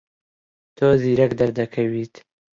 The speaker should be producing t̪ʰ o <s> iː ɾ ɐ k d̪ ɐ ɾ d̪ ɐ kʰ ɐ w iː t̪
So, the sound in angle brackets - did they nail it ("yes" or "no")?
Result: no